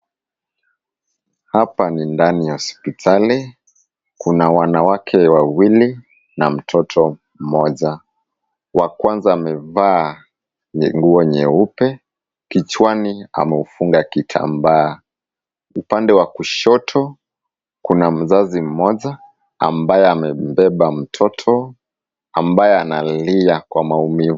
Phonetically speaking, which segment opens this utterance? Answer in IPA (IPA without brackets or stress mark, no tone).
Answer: h